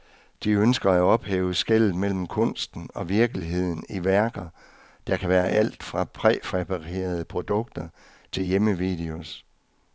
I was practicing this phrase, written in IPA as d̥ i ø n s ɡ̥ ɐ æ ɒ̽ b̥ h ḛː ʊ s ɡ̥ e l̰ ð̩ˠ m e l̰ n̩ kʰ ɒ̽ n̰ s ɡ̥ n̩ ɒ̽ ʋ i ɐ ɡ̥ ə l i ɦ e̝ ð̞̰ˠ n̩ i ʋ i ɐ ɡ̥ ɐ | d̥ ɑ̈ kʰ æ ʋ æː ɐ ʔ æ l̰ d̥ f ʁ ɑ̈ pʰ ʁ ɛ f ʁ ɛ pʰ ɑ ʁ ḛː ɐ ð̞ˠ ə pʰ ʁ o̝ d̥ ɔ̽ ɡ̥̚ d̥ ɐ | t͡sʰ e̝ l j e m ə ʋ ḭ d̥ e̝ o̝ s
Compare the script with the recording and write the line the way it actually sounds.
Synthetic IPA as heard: d̥ i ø n s ɡ̥ ɐ æ ɒ̽ b̥ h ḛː ʊ s ɡ̥ e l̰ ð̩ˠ m e l̰ m̩ kʰ ɔ̽ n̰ s d̥ n̩ ɒ̽ ʋ i ɐ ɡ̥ ə l i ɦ e̝ ð̞̰ˠ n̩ i ʋ æ ɐ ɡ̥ ɐ | d̥ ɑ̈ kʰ æ ʋ æː ɐ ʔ æ l̰ d̥ f ʁ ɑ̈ pʰ ʁ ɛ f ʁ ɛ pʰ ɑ ʁ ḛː ɐ ð̞ˠ ə pʰ ʁ o̝ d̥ ɔ̽ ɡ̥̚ d̥ ɐ | t͡sʰ e̝ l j e m ə ʋ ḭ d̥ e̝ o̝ s

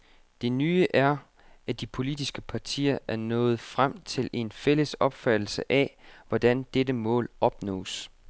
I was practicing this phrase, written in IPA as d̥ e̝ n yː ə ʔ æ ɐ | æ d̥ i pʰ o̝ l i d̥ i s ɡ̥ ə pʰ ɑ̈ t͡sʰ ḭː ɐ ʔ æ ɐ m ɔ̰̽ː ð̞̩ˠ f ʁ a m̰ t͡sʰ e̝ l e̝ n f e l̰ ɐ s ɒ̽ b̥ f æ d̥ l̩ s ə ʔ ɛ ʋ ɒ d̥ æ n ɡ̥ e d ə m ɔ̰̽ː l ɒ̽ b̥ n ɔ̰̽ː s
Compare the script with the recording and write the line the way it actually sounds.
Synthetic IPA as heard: d̥ e̝ n yː ə ʔ æ ɐ | æ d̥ i pʰ o̝ l i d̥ i s ɡ̥ ə pʰ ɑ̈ t͡sʰ ḭː ɐ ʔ æ ɐ n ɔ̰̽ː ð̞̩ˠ f ʁ a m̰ t͡sʰ e̝ l e̝ n f e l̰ ə s ɒ̽ b̥ f æ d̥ l̩ s ə ʔ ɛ ʋ ɒ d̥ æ n d̥ e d ə m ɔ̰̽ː l ɒ̽ b̥ n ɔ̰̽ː s

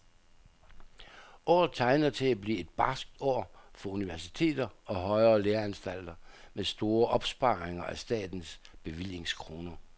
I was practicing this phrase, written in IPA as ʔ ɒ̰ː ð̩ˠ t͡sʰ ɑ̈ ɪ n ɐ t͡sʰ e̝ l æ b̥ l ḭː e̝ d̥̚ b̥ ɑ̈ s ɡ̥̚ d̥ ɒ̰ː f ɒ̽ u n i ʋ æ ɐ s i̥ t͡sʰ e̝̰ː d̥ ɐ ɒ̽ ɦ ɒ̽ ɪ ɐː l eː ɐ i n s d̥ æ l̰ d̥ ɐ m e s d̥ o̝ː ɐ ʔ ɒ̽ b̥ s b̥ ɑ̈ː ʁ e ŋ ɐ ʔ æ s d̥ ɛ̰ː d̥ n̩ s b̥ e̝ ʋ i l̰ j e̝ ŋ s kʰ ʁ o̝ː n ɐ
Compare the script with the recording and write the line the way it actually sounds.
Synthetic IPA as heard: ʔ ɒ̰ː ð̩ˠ t͡sʰ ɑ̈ ɪ n ɐ t͡sʰ e̝ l æ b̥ l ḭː e̝ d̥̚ b̥ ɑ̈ s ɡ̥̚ d̥ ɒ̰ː f ɒ̽ u n i ʋ æ ɐ s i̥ t͡sʰ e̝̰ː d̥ ɐ ɒ̽ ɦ ɒ̽ ɪ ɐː l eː ɐ æ n s d̥ æ l̰ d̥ ɐ m e s d̥ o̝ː ɐ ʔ ɒ̽ b̥ s b̥ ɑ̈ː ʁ e ŋ ɐ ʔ æ s d̥ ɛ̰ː d̥ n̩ s b̥ e̝ ʋ i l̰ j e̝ ŋ s kʰ ʁ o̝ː n ɐ

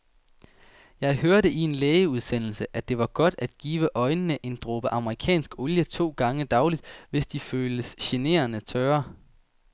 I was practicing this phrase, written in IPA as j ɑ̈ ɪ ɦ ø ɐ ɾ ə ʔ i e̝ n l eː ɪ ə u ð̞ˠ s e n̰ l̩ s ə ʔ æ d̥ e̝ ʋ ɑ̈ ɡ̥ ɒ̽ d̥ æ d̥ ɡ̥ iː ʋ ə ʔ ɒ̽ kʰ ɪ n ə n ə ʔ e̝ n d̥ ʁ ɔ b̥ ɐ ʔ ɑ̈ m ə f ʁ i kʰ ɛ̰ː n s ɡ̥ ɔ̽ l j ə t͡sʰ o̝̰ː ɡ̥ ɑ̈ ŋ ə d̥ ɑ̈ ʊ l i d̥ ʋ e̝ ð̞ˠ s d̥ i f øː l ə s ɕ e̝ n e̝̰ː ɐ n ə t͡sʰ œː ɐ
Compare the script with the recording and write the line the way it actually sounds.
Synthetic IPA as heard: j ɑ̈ ɪ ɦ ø ɐ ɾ ə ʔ i e̝ n l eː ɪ ə u ð̞ˠ s e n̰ l̩ s ə ʔ æ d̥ e̝ ʋ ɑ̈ ɡ̥ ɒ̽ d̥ æ d̥ ɡ̥ iː ʋ ə ʔ ɒ̽ ɪ n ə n ə ʔ e̝ n d̥ ʁ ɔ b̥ ə ʔ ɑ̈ m ə ʁ i kʰ ɛ̰ː n s ɡ̥ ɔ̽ l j ə t͡sʰ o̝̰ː ɡ̥ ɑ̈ ŋ ə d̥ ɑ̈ ʊ l i d̥ ʋ e̝ s d̥ i f øː l ə s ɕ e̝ n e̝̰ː ɐ n ə t͡sʰ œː ɐ

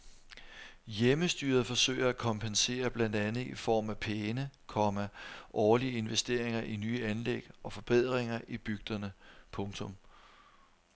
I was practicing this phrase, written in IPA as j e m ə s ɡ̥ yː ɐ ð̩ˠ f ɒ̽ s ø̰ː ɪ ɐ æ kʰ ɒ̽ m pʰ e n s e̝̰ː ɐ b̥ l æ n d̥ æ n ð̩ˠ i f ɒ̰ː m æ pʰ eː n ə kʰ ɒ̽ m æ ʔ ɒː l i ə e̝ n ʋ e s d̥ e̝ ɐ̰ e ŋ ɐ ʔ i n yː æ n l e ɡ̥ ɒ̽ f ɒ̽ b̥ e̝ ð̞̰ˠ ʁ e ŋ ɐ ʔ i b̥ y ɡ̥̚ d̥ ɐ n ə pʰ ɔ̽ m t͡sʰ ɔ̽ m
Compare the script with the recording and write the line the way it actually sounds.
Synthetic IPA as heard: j e m ə s d̥ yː ɐ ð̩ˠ f ɒ̽ s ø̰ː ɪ ɐ æ kʰ ɒ̽ m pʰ e n s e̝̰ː ɐ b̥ l æ n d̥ æ n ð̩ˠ i f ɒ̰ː m æ pʰ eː n ə kʰ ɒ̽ m æ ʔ ɒː l i ə e̝ n ʋ e s d̥ e̝ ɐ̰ e ŋ ɐ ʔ i n yː æ n l e ɡ̥ ɒ̽ f ɒ̽ b̥ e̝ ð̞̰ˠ ʁ e ŋ ɐ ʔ i b̥ y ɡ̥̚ d̥ ɐ n ə pʰ ɔ̽ ŋ t͡sʰ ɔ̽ m

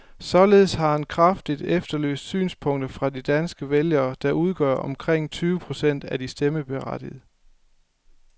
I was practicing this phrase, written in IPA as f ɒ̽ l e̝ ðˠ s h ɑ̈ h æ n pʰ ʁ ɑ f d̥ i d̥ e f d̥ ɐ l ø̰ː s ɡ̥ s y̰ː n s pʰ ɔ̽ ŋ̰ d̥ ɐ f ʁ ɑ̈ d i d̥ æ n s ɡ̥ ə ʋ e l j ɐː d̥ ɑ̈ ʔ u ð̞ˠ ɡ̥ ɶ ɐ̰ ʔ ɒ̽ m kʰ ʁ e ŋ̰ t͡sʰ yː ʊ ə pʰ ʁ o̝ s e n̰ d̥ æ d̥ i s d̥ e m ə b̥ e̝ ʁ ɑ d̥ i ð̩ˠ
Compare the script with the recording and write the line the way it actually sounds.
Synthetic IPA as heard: s ɒ̽ l e̝ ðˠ s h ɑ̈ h æ n kʰ ʁ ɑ f d̥ i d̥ e f d̥ ɐ l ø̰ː s d̥ s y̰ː n s pʰ ɔ̽ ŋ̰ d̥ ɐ f ʁ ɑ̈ d i d̥ æ n s ɡ̥ ə ʋ e l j ɐː d̥ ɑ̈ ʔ u ð̞ˠ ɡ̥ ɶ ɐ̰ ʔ ɒ̽ m kʰ ʁ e ŋ̰ t͡sʰ yː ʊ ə pʰ ʁ o̝ s e n̰ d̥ æ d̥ i s d̥ e m ə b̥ e̝ ʁ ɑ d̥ i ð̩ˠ

